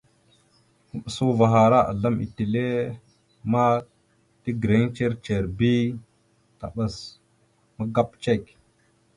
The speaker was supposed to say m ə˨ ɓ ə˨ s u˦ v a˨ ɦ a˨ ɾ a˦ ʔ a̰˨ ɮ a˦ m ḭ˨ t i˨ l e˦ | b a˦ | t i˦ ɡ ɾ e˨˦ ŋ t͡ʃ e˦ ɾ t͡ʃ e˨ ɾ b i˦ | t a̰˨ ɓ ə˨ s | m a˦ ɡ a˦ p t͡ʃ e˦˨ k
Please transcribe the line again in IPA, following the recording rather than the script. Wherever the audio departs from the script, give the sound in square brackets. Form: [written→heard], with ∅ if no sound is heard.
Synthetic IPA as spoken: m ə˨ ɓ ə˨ s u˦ v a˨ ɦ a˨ ɾ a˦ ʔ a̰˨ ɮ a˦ m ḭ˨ t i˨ l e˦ | [b→m] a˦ | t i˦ ɡ ɾ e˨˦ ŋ t͡ʃ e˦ ɾ t͡ʃ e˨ ɾ b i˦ | t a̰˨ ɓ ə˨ s | m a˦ ɡ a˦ p t͡ʃ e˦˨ k